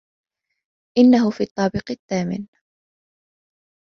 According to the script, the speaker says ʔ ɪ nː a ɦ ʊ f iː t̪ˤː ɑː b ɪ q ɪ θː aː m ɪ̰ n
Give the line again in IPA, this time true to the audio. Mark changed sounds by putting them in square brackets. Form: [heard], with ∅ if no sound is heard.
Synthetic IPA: ʔ ɪ nː a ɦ ʊ f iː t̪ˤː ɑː b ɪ q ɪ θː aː m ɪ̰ n